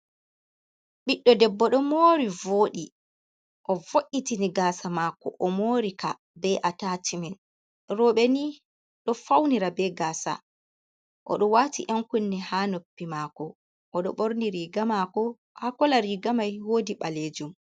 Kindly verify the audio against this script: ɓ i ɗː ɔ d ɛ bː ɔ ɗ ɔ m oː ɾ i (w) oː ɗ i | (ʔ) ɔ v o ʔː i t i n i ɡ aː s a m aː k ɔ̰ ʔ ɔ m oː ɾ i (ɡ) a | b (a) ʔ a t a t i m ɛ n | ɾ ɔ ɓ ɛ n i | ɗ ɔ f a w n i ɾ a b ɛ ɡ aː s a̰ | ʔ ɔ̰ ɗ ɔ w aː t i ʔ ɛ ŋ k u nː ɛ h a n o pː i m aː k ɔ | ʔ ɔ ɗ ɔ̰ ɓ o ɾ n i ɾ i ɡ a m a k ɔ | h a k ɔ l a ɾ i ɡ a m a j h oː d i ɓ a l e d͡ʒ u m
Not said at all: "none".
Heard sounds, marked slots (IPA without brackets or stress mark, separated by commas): v, ʔ, k, ɛ